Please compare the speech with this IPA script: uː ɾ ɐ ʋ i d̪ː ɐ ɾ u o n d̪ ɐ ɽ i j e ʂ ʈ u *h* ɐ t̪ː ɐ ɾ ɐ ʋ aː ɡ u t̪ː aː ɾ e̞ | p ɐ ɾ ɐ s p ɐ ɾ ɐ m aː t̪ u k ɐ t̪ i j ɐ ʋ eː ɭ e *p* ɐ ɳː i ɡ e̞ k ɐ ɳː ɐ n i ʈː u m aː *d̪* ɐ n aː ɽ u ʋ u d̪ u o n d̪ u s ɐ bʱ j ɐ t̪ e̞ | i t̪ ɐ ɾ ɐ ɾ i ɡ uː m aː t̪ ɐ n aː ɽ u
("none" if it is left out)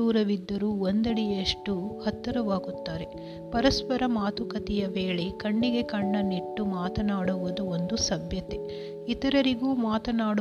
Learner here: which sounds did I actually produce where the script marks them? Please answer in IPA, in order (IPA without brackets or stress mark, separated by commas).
h, k, t̪